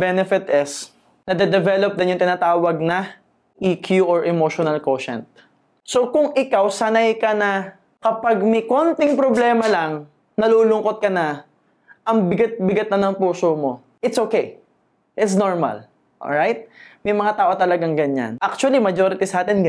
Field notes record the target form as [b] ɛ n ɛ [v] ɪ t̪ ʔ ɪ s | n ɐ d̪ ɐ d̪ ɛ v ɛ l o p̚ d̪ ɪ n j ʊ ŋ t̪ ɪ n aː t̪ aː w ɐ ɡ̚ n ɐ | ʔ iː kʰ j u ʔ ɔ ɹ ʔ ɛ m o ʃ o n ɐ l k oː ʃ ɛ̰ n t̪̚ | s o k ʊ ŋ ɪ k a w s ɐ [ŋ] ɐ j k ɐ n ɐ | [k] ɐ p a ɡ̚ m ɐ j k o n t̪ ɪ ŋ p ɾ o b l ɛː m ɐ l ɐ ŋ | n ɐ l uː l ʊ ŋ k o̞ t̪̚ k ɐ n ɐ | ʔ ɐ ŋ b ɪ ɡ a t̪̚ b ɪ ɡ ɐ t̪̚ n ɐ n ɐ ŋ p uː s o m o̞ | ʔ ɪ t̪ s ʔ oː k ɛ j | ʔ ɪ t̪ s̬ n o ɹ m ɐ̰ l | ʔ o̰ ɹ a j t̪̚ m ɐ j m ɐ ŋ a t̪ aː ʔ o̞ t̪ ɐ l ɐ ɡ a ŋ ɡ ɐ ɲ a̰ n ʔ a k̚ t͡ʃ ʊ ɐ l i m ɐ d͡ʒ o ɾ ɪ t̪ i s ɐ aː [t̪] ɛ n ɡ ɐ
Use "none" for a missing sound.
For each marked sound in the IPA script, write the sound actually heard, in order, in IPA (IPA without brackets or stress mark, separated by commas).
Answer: b, f, n, k, t̪